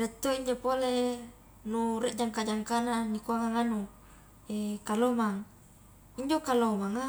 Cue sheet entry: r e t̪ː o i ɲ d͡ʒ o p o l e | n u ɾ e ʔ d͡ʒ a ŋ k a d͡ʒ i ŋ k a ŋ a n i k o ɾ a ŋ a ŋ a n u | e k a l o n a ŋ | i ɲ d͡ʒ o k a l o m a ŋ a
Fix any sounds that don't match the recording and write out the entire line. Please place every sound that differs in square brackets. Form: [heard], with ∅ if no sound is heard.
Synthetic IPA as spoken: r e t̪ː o i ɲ d͡ʒ o p o l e | n u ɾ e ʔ d͡ʒ a ŋ k a d͡ʒ [a] ŋ k a [n] a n i k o [∅] a ŋ a ŋ a n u | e k a l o [m] a ŋ | i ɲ d͡ʒ o k a l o m a ŋ a